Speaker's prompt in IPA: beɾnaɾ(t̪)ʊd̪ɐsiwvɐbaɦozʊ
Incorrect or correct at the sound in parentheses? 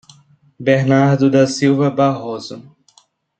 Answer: incorrect: d̪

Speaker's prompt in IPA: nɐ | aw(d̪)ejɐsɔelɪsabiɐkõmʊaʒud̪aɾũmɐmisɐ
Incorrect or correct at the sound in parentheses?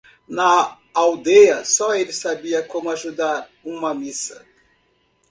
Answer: correct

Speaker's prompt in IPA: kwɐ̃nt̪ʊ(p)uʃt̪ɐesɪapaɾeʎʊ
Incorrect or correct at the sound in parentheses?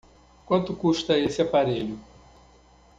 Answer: incorrect: k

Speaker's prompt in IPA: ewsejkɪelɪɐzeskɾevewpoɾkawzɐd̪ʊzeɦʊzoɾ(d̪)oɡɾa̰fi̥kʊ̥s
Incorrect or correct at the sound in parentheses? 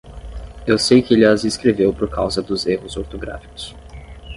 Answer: incorrect: t̪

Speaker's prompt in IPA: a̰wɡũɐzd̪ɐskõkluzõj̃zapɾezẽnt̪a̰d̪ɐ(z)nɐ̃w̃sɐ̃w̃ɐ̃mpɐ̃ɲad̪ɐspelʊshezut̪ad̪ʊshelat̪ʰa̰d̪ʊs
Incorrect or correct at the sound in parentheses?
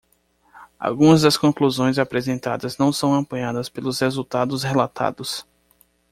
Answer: correct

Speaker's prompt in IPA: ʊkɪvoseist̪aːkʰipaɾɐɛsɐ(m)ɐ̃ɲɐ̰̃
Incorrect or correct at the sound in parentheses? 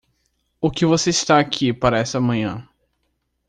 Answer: correct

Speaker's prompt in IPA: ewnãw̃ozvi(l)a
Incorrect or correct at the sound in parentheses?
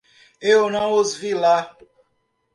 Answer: correct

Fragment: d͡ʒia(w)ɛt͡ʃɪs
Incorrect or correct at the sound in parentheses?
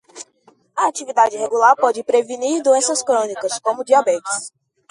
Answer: incorrect: b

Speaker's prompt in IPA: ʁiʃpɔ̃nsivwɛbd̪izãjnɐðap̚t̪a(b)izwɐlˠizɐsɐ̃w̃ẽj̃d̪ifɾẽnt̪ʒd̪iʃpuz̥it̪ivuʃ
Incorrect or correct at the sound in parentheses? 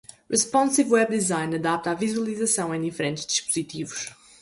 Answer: incorrect: v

